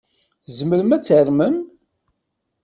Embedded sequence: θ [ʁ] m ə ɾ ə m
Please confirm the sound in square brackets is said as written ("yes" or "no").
no